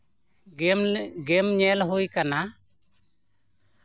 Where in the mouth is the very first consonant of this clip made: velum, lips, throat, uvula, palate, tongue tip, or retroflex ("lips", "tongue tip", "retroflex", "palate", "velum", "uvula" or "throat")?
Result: velum